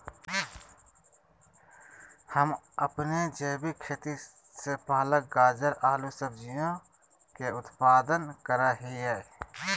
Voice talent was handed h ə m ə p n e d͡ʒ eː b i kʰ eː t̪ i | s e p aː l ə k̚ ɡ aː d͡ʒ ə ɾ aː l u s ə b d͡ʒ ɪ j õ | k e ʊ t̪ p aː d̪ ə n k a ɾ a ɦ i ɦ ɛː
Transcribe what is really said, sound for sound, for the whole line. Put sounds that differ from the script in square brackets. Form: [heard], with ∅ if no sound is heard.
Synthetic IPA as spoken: h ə m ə p n e d͡ʒ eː b i kʰ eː t̪ i | s e p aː l ə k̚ ɡ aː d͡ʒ ə ɾ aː l u s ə b d͡ʒ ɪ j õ | k e ʊ t̪ p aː d̪ ə n k [ə] ɾ a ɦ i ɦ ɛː